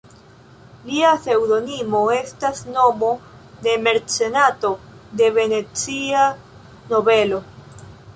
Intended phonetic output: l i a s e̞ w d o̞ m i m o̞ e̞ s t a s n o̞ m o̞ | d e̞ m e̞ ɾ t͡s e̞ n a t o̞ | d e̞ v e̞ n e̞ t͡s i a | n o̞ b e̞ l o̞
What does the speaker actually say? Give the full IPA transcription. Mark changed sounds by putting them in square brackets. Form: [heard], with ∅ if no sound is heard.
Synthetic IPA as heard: l i a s e̞ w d o̞ [n] i m o̞ e̞ s t a s n o̞ m o̞ | d e̞ m e̞ ɾ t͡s e̞ n a t o̞ | d e̞ v e̞ n e̞ t͡s i a | n o̞ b e̞ l o̞

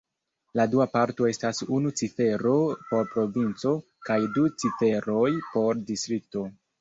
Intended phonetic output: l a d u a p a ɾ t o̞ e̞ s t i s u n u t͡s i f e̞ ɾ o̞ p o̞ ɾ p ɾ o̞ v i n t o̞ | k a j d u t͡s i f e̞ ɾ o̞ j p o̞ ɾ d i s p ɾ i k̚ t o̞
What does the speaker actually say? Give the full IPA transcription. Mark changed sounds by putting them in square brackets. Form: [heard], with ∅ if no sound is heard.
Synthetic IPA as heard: l a d u a p a ɾ t o̞ e̞ s t [a] s u n u t͡s i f e̞ ɾ o̞ p o̞ ɾ p ɾ o̞ v i n [t͡s] o̞ | k a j d u t͡s i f e̞ ɾ o̞ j p o̞ ɾ d i s [t] ɾ i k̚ t o̞

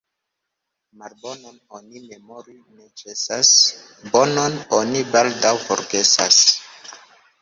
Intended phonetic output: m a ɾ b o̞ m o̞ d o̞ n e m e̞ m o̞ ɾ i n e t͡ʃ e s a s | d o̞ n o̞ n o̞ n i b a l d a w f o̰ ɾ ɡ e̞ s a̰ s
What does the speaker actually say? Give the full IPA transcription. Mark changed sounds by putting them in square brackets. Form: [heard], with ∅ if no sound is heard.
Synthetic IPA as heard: m a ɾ b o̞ [n] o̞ [n] o̞ n [i] m e̞ m o̞ ɾ i n e t͡ʃ e s a s | [b] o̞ n o̞ n o̞ n i b a l d a w f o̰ ɾ ɡ e̞ s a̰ s

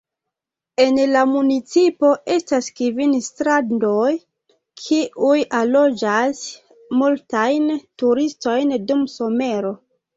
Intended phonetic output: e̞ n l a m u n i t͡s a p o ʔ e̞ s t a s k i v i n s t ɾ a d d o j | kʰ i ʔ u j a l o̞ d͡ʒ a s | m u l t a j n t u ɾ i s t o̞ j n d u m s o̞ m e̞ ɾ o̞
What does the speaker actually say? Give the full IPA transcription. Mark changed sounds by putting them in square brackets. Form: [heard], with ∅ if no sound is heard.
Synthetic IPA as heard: e̞ n l a m u n i t͡s [i] p o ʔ e̞ s t a s k i v i n s t ɾ a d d o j | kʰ i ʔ u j a l o̞ d͡ʒ a s | m u l t a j n t u ɾ i s t o̞ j n d u m s o̞ m e̞ ɾ o̞

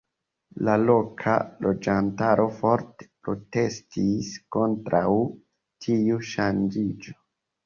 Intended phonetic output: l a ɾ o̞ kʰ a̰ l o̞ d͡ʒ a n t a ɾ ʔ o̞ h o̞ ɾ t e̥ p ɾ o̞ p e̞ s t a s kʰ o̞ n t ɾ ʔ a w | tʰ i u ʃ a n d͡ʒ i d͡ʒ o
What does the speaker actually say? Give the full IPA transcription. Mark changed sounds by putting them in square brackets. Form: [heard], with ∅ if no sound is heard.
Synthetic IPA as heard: l a [l] o̞ kʰ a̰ l o̞ d͡ʒ a n t a ɾ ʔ o̞ [f] o̞ ɾ t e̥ p ɾ o̞ [t] e̞ s t [i] s [k] o̞ n t ɾ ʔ a w | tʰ i u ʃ a n d͡ʒ i d͡ʒ o

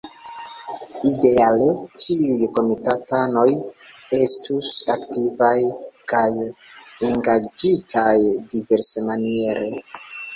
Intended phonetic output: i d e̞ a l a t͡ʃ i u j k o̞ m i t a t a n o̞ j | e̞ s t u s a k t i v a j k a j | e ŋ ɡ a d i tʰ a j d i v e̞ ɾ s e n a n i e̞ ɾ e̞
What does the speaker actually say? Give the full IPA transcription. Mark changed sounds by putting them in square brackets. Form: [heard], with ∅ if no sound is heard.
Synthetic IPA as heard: i d e̞ a l [e] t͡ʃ i u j k o̞ m i t a t a n o̞ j | e̞ s t u s a k t i v a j k a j | e ŋ ɡ a [d͡ʒ] i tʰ a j d i v e̞ ɾ s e [m] a n i e̞ ɾ e̞

